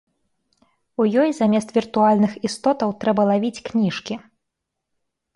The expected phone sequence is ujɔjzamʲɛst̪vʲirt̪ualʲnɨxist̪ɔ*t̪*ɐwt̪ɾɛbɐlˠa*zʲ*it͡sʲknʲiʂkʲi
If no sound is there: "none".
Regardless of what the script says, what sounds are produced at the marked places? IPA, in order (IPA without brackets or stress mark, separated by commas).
t̪, vʲ